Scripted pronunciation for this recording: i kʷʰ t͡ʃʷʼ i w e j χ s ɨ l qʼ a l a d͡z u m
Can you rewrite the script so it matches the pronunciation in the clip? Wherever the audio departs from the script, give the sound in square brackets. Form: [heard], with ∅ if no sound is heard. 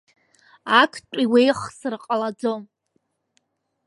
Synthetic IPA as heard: [a] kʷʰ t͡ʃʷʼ i w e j χ s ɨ [r] qʼ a l a d͡z [o] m